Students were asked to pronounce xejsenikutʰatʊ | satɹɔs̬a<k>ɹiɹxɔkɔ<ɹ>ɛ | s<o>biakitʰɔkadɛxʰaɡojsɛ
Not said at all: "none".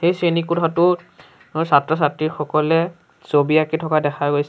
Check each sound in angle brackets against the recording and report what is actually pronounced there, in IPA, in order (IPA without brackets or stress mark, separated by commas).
t, l, o